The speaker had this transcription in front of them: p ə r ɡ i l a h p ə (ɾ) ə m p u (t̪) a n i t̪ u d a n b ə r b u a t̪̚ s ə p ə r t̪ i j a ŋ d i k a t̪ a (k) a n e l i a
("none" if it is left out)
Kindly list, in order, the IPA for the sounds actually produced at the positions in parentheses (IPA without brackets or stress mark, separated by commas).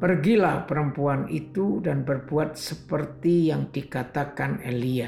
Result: ɾ, none, k